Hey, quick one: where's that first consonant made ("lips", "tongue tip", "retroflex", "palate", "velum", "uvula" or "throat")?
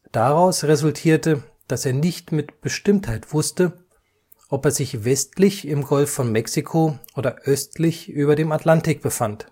tongue tip